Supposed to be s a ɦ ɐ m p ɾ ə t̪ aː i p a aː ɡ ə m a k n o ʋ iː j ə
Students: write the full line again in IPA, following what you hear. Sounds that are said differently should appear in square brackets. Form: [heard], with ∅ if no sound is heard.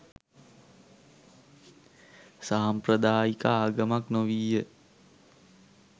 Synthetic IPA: s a ɦ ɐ m p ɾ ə [d̪] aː i [k] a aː ɡ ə m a k n o ʋ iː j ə